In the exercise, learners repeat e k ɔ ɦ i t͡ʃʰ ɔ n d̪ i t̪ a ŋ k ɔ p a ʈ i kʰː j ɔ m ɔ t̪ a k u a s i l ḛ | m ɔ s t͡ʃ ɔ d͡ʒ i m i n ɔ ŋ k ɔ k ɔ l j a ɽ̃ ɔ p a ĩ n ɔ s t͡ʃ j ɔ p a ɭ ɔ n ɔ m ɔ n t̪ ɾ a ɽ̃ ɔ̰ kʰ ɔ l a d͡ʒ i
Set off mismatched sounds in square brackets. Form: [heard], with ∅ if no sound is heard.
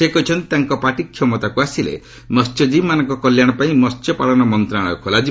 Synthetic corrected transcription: e k ɔ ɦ i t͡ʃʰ ɔ n [t̪] i t̪ a ŋ k ɔ p a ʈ i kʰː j ɔ m ɔ t̪ a k u a s i l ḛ | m ɔ s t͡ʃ ɔ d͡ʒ i m [a] n ɔ ŋ k ɔ k ɔ l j a ɽ̃ ɔ p a ĩ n ɔ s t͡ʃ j ɔ p a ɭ ɔ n ɔ m ɔ n t̪ ɾ a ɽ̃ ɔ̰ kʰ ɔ l a d͡ʒ i